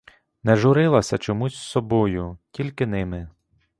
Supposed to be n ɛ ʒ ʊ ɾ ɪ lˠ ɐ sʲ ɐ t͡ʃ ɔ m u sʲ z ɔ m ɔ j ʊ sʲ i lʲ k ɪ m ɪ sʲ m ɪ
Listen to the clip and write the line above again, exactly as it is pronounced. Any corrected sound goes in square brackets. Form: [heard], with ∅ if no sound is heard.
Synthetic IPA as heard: n ɛ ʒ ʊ ɾ ɪ lˠ ɐ sʲ ɐ t͡ʃ ɔ m u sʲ [s] ɔ [b] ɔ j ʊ [tʲ] i lʲ k ɪ [n] ɪ [∅] m ɪ